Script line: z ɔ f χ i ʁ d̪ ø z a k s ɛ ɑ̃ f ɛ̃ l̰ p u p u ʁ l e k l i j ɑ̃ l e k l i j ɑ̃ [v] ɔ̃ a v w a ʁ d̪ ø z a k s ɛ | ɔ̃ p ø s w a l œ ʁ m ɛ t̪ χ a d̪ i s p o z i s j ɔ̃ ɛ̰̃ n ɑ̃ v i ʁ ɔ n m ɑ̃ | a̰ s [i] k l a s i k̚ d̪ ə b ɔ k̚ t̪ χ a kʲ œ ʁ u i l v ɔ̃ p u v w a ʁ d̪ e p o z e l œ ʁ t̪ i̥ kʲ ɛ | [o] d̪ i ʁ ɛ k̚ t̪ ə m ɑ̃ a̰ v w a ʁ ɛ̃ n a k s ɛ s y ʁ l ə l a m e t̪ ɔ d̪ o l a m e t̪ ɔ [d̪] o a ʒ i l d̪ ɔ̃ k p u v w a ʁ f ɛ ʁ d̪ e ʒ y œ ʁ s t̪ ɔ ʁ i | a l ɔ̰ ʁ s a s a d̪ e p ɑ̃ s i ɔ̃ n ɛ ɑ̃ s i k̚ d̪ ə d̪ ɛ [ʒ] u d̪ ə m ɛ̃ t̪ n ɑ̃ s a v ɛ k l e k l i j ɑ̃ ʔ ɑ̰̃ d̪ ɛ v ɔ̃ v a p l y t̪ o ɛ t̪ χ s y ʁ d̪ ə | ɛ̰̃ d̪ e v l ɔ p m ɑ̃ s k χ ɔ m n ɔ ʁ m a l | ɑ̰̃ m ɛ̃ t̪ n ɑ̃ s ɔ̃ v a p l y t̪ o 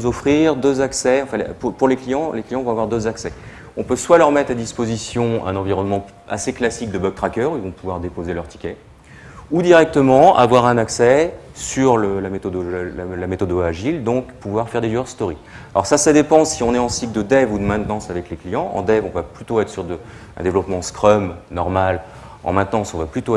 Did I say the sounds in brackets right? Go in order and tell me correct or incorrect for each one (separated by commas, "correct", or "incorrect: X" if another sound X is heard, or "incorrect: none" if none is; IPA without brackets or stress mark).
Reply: correct, incorrect: e, incorrect: u, correct, incorrect: v